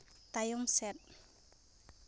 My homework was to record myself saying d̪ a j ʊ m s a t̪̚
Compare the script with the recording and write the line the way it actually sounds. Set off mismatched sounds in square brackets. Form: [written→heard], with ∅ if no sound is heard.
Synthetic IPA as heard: [d̪→t̪] a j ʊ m s [a→ɛ] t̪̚